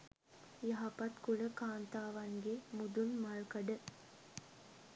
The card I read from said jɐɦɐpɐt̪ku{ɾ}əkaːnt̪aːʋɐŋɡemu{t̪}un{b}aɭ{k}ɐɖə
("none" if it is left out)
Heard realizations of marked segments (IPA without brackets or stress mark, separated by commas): ɭ, d̪, m, k